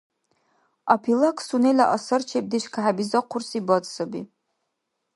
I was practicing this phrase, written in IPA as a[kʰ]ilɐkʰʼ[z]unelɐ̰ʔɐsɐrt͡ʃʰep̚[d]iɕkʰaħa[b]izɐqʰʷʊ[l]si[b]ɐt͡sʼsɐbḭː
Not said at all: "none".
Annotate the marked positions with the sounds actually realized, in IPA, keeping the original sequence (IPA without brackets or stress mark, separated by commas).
pʰ, s, d, b, r, b